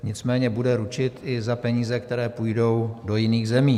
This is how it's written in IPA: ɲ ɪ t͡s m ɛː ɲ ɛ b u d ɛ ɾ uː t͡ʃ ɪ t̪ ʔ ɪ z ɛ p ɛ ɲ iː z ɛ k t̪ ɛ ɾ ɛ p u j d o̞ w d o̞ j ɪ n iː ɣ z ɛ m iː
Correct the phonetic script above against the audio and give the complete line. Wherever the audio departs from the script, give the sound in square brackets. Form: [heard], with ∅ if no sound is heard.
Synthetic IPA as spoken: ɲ ɪ t͡s m ɛː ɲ ɛ b u d ɛ ɾ [u] t͡ʃ ɪ t̪ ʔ ɪ z [a] p ɛ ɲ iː z ɛ k t̪ ɛ ɾ [ɛː] p u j d o̞ w d o̞ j ɪ n iː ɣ z ɛ m iː